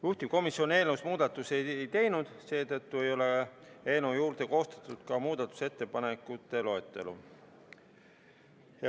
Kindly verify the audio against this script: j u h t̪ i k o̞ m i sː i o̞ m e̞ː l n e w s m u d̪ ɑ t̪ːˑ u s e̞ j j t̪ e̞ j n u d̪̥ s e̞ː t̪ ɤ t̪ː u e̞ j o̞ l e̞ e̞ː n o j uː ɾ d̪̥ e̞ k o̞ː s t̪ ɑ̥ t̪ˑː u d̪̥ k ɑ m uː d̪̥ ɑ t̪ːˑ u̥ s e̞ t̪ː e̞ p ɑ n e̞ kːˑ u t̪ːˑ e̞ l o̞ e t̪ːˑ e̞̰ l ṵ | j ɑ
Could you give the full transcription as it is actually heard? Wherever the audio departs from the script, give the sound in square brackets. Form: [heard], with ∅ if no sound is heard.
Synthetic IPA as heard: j u h t̪ i k o̞ m i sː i o̞ [n] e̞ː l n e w s m [uː] d̪ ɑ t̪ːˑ u s e̞ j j t̪ e̞ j n u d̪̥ s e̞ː t̪ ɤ t̪ː u e̞ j o̞ l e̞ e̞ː n o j uː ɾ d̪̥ e̞ k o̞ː s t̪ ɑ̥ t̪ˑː u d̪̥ k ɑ m uː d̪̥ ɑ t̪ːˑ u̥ s e̞ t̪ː e̞ p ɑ n e̞ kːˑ u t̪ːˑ e̞ l o̞ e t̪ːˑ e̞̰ l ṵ | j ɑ